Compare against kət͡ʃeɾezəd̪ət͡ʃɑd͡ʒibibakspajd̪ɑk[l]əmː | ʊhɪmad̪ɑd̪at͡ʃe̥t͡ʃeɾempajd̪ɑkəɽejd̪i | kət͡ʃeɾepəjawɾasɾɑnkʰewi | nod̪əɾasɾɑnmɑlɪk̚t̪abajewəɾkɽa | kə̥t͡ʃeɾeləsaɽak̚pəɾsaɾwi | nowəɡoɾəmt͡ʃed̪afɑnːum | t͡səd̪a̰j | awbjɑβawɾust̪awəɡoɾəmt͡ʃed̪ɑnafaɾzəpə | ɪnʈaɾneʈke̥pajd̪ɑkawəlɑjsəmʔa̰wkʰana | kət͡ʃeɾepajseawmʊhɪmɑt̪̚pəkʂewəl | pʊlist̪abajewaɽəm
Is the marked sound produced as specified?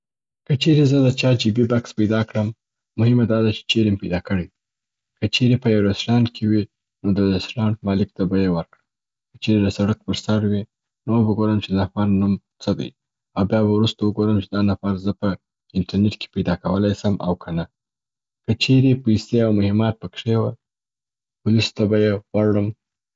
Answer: no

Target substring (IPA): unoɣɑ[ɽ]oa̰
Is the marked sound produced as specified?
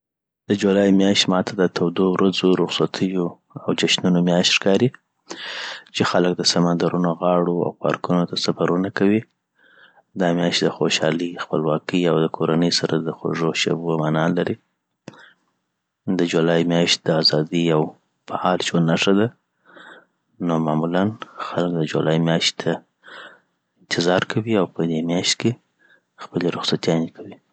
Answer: yes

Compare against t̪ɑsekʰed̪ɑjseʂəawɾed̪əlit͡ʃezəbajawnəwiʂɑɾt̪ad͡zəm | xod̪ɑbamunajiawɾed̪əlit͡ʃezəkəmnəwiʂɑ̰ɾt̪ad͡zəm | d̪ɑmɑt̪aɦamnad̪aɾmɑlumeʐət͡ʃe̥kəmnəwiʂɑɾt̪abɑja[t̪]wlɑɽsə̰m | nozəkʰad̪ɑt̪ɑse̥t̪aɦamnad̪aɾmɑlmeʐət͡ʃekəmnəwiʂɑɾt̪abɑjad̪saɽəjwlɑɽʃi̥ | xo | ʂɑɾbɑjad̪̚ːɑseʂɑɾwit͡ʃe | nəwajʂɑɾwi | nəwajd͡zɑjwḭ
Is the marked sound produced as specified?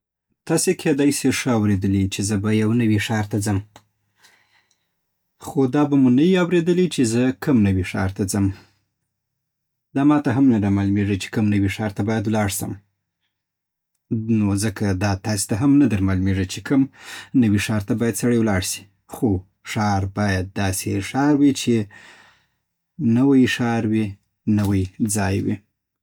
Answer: no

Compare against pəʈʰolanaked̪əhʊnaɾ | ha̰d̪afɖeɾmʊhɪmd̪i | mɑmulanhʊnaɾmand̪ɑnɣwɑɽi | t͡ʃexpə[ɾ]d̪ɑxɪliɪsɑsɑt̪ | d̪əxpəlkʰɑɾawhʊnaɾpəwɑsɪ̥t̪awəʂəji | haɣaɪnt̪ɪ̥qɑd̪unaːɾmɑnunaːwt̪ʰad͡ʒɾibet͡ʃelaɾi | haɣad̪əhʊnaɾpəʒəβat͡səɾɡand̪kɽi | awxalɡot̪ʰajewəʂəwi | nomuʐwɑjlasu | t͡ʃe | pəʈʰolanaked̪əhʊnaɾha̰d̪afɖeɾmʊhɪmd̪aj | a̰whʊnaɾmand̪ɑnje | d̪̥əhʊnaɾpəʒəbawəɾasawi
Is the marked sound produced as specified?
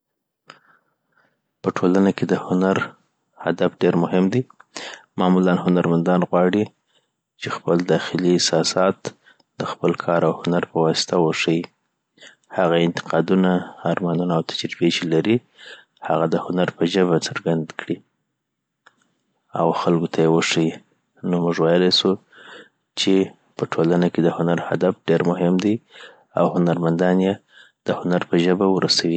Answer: no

